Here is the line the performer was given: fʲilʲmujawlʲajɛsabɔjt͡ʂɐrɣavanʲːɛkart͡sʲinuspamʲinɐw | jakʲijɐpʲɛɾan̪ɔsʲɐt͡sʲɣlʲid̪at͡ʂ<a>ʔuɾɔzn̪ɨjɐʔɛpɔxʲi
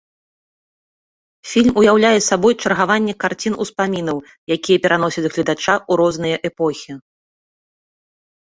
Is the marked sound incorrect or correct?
correct